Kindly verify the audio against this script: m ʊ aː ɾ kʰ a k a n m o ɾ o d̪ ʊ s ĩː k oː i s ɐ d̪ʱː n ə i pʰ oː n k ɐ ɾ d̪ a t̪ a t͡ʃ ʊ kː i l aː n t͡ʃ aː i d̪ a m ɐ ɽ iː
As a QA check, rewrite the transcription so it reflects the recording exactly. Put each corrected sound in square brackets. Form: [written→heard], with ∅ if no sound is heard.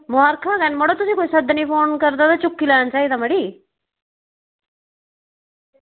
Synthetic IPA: m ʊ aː ɾ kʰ a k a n m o [ɾ→ɽ] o [d̪→t̪] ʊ s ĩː k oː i s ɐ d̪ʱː n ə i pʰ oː n k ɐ ɾ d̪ a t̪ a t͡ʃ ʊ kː i l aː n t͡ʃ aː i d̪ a m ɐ ɽ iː